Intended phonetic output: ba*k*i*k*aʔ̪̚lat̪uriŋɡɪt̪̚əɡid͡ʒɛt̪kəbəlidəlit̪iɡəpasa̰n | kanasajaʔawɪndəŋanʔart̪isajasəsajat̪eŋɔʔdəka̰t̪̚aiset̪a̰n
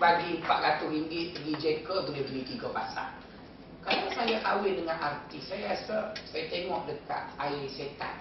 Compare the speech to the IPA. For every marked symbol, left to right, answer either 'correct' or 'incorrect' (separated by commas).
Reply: incorrect, incorrect